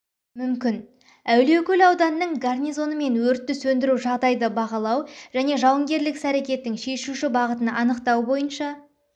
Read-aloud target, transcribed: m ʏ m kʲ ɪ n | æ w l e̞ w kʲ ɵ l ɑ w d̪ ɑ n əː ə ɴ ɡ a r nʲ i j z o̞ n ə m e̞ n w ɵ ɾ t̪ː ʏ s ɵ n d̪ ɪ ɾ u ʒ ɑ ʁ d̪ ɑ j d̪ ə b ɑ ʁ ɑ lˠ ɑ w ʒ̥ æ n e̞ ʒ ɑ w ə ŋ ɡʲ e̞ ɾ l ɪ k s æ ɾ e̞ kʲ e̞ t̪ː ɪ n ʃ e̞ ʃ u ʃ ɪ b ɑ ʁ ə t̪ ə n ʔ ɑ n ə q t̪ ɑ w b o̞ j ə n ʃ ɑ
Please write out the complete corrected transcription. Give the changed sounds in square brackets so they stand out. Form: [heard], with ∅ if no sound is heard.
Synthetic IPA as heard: m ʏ m kʲ ɪ n | æ w l e̞ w kʲ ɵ l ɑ w d̪ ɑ n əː ə ɴ ɡ a r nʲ i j z o̞ n ə m e̞ n w ɵ ɾ t̪ː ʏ s ɵ n d̪ ɪ ɾ u ʒ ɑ ʁ d̪ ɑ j d̪ ə b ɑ ʁ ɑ lˠ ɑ w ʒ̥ æ n e̞ ʒ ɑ w ə ŋ ɡʲ e̞ ɾ l ɪ k s æ ɾ e̞ kʲ e̞ t̪ː ɪ [ŋ] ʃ e̞ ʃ u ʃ ɪ b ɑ ʁ ə t̪ ə n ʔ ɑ n ə q t̪ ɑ w b o̞ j ə n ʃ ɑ